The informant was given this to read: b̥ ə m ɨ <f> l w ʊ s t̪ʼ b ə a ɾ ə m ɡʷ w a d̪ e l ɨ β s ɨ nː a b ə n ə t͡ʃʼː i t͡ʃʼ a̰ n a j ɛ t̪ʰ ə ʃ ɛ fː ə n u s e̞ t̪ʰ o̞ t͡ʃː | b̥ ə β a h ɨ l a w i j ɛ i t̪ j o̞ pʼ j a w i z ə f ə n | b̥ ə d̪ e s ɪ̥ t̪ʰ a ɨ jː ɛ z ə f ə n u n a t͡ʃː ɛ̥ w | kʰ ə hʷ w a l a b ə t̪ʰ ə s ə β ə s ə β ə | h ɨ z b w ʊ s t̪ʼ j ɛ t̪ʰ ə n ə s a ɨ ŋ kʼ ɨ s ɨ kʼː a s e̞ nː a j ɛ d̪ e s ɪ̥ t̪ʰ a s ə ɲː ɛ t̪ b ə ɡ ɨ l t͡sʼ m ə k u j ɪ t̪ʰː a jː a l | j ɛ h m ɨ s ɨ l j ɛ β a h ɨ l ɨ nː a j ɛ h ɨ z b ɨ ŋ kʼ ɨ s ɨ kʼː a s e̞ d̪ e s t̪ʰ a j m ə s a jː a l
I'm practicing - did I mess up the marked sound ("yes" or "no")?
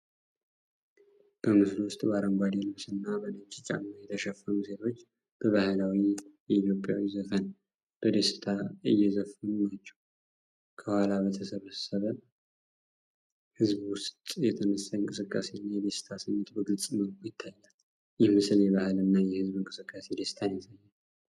yes